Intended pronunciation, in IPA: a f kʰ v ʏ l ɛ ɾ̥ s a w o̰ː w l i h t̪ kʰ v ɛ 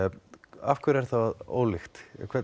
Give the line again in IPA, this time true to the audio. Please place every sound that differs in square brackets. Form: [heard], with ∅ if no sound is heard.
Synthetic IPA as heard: a f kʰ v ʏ [ɾ] ɛ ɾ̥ [θ] a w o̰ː w l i [x] t̪ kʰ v ɛ